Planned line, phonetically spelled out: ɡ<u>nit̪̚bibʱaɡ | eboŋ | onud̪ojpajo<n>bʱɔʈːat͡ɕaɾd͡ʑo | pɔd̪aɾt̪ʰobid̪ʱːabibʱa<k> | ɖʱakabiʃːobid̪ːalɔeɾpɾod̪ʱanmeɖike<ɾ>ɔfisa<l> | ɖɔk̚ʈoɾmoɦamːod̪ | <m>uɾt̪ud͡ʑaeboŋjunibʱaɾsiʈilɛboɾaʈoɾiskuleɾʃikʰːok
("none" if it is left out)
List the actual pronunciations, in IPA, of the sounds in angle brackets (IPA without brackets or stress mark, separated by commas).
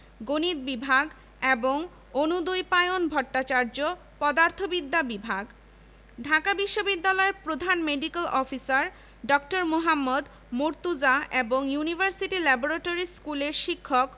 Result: o, n, ɡ, l, ɾ, m